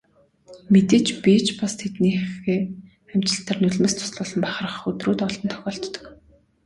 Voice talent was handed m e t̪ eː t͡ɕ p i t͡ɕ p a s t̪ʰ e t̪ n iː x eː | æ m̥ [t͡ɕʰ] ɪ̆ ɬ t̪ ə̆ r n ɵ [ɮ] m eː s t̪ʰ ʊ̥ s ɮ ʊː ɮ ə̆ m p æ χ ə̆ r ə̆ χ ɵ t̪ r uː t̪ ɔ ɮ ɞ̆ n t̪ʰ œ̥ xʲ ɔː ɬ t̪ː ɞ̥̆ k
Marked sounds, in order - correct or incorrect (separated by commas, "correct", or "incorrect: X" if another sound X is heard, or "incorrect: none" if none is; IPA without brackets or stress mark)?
incorrect: t͡ɕ, correct